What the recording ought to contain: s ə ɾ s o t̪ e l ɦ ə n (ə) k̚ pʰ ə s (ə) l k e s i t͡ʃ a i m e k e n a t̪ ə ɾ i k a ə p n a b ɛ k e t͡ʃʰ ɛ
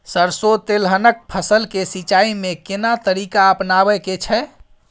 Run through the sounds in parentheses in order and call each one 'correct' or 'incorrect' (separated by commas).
correct, correct